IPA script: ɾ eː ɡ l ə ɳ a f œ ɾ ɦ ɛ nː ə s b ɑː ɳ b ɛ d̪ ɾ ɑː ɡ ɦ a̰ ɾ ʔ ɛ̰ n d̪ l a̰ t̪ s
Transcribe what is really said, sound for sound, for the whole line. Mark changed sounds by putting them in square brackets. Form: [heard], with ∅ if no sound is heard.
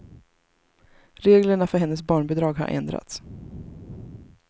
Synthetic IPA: ɾ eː ɡ l ə ɳ a f œ ɾ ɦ ɛ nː ə s b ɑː ɳ b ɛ d̪ ɾ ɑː ɡ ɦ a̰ ɾ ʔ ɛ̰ n d̪ [ɾ] a̰ t̪ s